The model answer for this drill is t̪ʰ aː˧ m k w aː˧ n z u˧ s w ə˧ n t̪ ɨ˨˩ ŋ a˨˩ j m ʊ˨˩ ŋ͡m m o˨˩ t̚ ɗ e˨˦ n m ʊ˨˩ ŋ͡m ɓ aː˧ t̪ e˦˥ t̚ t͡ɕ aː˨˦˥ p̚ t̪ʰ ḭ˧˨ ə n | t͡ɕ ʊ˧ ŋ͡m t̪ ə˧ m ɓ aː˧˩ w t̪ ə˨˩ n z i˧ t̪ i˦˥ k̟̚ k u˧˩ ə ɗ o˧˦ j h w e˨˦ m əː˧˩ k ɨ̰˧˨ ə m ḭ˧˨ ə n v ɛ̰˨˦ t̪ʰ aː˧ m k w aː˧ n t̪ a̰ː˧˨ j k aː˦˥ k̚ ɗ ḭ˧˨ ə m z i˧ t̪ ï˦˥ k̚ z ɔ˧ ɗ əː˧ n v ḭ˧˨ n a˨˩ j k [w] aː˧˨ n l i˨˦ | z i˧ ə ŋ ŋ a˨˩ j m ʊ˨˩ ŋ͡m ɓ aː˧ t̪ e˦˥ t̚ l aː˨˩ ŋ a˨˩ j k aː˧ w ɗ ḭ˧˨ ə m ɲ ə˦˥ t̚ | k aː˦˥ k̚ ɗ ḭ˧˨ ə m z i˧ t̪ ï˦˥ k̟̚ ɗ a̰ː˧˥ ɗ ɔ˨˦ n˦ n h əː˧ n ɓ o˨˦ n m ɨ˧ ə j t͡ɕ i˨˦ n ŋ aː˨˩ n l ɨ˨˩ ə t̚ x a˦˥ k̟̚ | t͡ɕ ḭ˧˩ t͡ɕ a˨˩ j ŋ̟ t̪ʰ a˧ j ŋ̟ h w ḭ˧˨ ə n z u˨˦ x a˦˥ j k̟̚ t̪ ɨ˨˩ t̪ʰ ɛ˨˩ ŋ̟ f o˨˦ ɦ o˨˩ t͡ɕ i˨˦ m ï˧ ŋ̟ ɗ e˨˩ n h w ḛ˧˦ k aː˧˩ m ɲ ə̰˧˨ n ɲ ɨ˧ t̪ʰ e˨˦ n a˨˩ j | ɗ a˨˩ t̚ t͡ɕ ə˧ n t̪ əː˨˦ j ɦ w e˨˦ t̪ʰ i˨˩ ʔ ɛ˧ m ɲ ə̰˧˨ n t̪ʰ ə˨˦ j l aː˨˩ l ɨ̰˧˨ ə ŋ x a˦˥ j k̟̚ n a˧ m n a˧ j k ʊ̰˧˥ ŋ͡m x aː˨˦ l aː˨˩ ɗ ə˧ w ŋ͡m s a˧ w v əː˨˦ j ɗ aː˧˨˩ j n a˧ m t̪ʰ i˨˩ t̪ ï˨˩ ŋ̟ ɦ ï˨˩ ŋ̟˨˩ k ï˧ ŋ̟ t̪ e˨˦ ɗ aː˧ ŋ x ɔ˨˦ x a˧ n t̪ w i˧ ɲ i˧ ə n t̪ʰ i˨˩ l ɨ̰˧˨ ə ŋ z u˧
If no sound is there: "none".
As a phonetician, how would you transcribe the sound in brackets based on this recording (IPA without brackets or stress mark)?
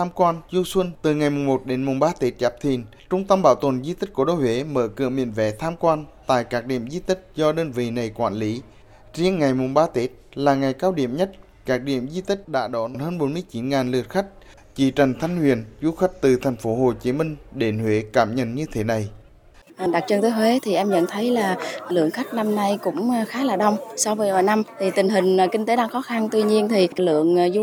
w